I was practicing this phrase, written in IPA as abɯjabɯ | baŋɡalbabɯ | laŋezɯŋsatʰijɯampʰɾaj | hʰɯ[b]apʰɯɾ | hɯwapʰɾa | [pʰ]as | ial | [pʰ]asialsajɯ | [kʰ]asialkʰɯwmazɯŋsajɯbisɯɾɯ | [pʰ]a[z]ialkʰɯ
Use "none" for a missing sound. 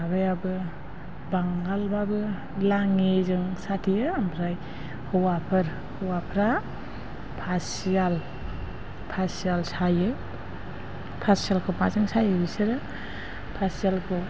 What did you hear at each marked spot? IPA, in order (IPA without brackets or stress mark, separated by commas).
w, pʰ, pʰ, pʰ, pʰ, s